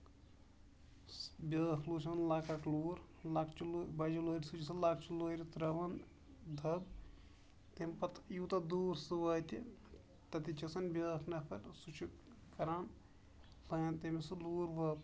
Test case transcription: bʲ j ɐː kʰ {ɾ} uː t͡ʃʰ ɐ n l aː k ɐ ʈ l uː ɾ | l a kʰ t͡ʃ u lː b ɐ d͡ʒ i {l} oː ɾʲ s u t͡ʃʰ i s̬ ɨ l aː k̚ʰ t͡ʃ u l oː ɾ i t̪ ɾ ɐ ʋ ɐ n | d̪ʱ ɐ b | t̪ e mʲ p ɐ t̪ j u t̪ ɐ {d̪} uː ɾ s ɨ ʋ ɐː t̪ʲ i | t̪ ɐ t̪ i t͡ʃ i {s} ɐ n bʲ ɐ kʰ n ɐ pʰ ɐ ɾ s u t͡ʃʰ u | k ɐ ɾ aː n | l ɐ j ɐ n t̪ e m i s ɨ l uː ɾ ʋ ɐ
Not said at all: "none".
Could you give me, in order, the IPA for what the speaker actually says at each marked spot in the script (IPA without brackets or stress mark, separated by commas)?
l, l, d̪, s